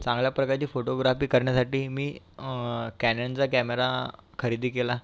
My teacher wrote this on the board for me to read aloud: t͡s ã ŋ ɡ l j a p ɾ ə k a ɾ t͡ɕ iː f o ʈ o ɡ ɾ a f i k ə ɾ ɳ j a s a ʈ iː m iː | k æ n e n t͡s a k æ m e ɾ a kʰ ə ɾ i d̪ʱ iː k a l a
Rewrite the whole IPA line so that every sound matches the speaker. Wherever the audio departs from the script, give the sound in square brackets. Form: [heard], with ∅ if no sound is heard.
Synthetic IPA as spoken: t͡s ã ŋ ɡ l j a p ɾ ə k a ɾ t͡ɕ iː f o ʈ o ɡ ɾ a f [iː] k ə ɾ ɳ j a s a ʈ iː m iː | k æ n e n t͡s a k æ m e ɾ a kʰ ə ɾ i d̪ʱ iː k [e] l a